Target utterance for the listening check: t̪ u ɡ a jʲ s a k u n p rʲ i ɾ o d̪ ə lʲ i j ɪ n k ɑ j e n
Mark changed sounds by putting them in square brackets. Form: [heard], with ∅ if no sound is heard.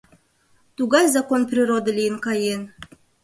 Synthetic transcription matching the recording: t̪ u ɡ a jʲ [z] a k [o] n p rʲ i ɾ o d̪ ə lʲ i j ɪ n k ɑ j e n